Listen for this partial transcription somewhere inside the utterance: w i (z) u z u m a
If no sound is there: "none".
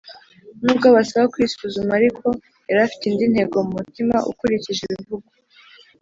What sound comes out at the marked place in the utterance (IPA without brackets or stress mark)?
s